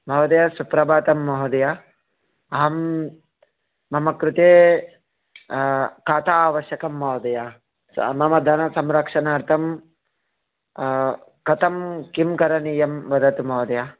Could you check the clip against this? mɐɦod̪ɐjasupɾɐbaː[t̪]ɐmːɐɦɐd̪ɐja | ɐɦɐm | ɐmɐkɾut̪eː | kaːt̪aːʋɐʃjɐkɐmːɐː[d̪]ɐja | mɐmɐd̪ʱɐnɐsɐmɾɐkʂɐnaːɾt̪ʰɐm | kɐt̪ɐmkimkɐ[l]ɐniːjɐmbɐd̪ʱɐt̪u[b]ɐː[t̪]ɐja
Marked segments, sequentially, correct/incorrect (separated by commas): correct, correct, incorrect, incorrect, incorrect